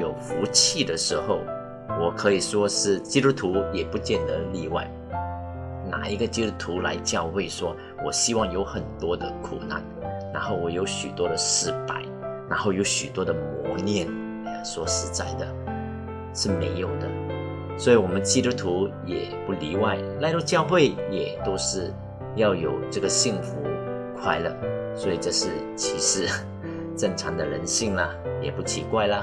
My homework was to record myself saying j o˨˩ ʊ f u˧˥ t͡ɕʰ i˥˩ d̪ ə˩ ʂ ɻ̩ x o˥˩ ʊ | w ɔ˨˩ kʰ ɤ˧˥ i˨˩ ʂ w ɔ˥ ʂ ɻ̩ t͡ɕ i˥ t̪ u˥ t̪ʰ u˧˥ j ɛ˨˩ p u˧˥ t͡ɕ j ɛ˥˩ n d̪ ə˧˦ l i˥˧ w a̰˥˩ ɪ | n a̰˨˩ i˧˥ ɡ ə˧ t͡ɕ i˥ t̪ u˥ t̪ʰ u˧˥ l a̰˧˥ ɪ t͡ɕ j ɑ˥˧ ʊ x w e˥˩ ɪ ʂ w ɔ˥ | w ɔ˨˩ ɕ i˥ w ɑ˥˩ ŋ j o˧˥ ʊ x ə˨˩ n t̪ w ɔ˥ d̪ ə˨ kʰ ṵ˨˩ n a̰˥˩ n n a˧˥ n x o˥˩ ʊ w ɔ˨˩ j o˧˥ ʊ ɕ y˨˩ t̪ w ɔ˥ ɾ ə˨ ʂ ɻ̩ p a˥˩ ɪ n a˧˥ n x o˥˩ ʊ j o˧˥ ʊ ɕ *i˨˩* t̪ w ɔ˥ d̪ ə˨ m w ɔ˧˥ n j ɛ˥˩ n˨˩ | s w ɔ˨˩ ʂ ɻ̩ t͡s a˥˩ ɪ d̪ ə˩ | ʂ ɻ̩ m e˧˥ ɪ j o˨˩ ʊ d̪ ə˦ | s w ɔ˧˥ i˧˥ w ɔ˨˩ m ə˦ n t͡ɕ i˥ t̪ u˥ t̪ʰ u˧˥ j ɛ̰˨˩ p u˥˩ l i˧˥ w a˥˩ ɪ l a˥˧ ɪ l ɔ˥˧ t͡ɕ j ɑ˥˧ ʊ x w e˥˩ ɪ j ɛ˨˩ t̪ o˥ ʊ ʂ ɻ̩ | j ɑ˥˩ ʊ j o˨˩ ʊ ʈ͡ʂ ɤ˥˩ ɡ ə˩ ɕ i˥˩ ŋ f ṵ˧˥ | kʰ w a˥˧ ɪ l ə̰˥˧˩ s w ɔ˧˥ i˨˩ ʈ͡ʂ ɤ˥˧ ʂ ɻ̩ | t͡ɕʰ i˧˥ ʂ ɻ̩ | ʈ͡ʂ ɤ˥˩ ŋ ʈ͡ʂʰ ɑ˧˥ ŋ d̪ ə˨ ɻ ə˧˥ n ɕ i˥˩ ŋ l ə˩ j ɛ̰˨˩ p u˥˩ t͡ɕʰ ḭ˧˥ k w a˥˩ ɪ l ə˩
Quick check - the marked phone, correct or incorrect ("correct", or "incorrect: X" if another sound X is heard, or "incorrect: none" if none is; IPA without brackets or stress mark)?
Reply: incorrect: y˨˩